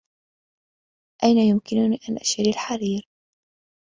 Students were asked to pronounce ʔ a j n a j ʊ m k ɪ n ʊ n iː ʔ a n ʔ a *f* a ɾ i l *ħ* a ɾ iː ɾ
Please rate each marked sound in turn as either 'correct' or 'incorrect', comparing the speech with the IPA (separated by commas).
incorrect, correct